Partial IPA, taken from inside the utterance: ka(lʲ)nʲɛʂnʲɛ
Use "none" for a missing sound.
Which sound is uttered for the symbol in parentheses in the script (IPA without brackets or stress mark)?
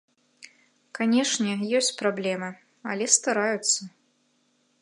none